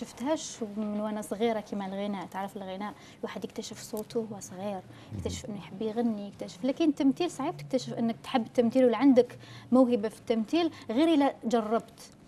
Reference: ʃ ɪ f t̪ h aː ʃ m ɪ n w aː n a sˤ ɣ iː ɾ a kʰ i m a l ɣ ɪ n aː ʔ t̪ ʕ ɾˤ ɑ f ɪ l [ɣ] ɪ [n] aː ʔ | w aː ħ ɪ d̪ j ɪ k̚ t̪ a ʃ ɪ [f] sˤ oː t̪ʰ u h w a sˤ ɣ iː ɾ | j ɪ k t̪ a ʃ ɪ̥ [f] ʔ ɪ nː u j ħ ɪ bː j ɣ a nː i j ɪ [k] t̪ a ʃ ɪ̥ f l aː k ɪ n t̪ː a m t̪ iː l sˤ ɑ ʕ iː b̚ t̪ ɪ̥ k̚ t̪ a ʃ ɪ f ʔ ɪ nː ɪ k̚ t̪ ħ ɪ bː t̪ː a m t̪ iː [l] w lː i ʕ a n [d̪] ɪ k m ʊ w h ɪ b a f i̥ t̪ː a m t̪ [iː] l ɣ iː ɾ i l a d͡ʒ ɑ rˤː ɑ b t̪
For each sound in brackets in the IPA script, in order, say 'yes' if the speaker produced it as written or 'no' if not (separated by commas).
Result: yes, yes, yes, yes, yes, yes, yes, yes